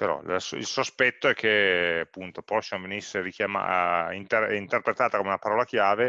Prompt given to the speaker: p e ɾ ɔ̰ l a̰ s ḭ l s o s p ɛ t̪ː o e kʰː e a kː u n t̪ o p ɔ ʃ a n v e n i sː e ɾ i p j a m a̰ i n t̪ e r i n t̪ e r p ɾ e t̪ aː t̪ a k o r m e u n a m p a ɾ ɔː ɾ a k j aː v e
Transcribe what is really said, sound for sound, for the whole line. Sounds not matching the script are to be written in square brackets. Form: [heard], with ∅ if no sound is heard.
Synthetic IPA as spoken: p e ɾ ɔ̰ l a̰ s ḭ l s o s p ɛ t̪ː o [ɛ] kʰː e a [pː] u n t̪ o p ɔ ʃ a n v e n i sː e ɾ i [k] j a m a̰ i n t̪ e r i n t̪ e r p ɾ e t̪ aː t̪ a k o [∅] m e u n a [∅] p a ɾ ɔː [l] a k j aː v e